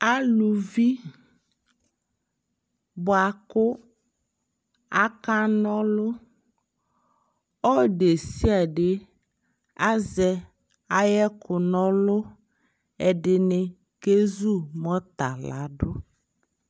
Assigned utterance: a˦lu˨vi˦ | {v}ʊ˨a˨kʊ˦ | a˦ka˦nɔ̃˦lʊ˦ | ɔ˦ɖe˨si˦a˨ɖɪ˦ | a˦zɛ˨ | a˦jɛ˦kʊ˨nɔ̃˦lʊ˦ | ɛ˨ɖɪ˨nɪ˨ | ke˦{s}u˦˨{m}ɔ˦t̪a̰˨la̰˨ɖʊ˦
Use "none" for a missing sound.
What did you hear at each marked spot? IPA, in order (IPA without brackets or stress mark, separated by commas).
b, z, m